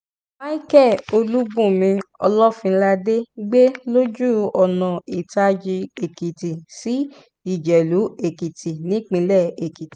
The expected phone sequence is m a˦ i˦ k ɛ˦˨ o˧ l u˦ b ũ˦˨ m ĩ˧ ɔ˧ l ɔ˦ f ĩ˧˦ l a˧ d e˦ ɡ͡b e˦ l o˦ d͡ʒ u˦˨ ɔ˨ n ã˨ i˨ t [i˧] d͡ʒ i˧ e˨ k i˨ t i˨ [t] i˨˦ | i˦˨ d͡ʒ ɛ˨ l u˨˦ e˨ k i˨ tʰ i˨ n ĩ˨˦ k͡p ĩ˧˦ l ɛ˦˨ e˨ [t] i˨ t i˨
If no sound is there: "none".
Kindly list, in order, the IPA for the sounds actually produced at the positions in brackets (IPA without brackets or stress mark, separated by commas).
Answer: a˧, s, k